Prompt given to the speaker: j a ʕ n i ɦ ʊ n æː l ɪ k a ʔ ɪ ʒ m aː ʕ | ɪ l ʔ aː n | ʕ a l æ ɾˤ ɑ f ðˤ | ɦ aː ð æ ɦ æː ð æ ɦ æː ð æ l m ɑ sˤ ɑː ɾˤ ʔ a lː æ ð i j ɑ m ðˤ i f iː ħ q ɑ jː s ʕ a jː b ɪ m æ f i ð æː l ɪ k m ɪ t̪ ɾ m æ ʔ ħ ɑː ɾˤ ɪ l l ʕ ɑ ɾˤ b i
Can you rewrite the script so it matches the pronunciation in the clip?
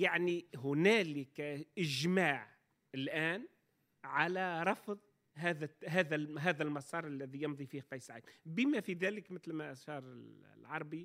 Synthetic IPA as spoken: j a ʕ n i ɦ ʊ n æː l ɪ k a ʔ ɪ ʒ m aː ʕ | ɪ l ʔ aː n | ʕ a l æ ɾˤ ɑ f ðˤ | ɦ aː ð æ ɦ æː ð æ ɦ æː ð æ l m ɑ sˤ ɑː ɾˤ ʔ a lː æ ð i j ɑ m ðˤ i f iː h q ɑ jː s ʕ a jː b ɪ m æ f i ð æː l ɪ k m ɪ t̪ l m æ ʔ ʃ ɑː ɾˤ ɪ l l ʕ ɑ ɾˤ b i